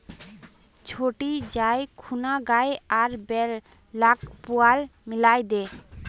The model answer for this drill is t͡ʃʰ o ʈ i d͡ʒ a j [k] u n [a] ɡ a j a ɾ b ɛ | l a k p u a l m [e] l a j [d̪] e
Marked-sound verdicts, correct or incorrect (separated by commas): incorrect, correct, incorrect, correct